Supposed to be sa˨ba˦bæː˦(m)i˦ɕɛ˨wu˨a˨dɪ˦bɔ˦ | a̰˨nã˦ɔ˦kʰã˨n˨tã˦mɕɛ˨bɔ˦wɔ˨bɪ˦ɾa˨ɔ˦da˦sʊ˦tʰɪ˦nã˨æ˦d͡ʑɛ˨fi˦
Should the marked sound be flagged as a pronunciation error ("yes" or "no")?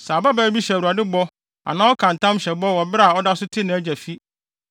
yes